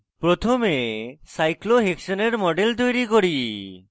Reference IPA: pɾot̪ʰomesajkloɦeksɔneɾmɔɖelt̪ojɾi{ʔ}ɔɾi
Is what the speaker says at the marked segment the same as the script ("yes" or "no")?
no